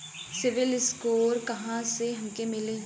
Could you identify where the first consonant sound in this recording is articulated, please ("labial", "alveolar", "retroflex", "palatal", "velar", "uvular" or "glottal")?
alveolar